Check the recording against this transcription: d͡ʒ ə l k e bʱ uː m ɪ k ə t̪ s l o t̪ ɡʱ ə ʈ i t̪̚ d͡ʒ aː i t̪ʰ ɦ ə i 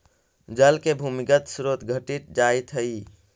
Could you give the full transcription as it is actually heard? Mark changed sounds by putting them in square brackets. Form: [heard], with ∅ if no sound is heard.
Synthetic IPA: d͡ʒ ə l k e bʱ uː m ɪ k ə t̪ s [ɾ] o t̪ ɡʱ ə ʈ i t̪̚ d͡ʒ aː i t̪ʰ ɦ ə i